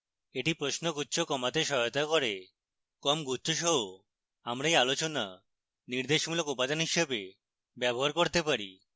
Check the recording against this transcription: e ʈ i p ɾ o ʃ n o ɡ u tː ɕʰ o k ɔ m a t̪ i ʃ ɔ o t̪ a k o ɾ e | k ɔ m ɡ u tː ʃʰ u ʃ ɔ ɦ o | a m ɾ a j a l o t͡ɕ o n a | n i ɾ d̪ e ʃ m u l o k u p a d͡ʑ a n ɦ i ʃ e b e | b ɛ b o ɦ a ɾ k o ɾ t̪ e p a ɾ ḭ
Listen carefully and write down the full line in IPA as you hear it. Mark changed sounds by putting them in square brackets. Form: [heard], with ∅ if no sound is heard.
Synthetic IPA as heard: e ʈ i p ɾ o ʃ n o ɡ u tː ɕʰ o k ɔ m a t̪ [e] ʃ ɔ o t̪ a k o ɾ e | k ɔ m ɡ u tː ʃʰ [o] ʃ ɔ ɦ o | a m ɾ a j a l o t͡ɕ o n a | n i ɾ d̪ e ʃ m u l o k u p a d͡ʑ a n ɦ i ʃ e b e | b ɛ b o ɦ a ɾ k o ɾ t̪ e p a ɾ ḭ